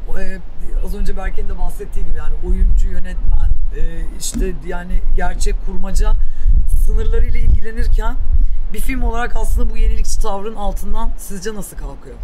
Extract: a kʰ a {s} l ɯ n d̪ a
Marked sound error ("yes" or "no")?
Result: no